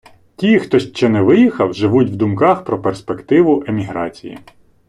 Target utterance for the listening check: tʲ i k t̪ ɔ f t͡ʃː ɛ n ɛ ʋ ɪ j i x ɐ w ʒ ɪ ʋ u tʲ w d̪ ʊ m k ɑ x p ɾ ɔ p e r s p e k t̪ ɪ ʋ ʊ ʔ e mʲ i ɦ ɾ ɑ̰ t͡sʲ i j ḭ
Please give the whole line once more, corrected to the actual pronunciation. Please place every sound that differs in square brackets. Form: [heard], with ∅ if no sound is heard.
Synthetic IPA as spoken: tʲ i [x] t̪ ɔ [ʃ] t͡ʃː ɛ n ɛ ʋ ɪ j i x ɐ w ʒ ɪ ʋ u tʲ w d̪ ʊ m k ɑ x p ɾ ɔ p e r s p e k t̪ ɪ ʋ ʊ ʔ e mʲ i ɦ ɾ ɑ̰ t͡sʲ i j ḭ